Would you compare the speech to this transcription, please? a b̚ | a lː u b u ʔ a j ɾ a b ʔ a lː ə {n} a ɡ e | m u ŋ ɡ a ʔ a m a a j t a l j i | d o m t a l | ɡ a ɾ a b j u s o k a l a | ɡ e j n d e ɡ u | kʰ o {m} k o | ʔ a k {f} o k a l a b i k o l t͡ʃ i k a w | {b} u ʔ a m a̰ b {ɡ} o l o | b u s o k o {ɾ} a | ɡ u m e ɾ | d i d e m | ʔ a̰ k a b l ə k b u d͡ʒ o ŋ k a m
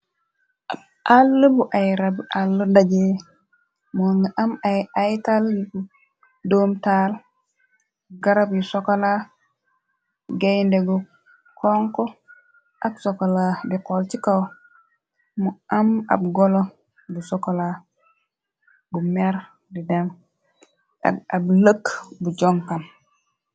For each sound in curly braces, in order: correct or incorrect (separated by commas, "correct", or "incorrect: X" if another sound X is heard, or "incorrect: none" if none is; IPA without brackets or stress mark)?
incorrect: d, incorrect: ŋ, incorrect: s, incorrect: m, correct, incorrect: l